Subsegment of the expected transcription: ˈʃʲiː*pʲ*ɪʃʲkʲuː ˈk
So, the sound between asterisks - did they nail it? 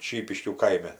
yes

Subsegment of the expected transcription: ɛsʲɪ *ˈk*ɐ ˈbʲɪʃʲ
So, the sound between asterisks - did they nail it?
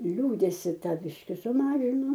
no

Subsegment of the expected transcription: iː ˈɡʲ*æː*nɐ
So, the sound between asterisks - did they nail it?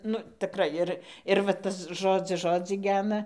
yes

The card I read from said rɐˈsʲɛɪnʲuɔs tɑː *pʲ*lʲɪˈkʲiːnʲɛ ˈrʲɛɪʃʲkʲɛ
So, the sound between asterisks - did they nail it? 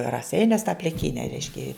yes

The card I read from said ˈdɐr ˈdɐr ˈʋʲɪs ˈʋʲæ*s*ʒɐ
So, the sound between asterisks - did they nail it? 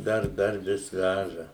no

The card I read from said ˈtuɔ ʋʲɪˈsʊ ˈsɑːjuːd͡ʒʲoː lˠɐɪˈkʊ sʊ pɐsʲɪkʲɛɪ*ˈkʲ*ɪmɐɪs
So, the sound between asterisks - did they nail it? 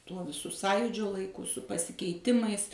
no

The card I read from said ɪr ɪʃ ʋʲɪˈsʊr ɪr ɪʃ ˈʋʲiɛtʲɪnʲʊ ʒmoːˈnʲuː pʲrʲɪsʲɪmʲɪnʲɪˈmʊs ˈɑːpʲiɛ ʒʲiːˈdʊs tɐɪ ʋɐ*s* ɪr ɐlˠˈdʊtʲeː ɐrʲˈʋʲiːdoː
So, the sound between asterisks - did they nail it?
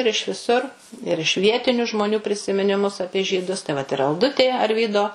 no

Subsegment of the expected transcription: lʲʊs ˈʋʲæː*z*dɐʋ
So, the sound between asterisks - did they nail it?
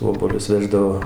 no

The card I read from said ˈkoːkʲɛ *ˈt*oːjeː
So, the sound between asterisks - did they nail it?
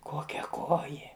no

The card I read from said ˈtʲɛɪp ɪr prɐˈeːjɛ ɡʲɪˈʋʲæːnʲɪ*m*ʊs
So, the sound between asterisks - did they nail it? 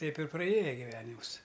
yes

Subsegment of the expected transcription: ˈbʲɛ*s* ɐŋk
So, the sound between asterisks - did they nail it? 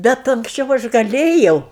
no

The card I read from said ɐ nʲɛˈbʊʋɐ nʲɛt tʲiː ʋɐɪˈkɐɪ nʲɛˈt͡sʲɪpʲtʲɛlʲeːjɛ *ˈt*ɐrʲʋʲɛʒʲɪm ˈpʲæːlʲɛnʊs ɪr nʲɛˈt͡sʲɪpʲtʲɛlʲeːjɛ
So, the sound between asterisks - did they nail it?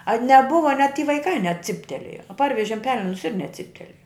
no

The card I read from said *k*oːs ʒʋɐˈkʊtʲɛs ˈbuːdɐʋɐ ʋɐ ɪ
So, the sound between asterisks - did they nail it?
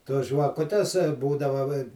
no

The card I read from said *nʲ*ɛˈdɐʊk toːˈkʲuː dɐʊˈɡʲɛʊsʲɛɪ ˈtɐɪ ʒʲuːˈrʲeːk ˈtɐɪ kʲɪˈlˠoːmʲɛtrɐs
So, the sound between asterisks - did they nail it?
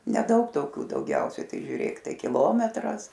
yes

